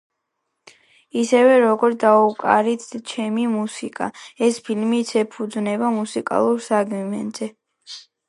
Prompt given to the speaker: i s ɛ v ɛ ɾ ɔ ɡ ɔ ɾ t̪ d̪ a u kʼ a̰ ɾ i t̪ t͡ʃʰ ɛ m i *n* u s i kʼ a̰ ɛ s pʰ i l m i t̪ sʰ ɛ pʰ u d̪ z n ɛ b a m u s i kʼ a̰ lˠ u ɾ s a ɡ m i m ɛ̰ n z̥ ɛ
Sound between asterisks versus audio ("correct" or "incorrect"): incorrect